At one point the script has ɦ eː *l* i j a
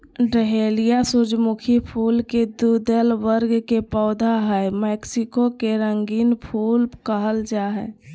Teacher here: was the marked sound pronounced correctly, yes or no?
yes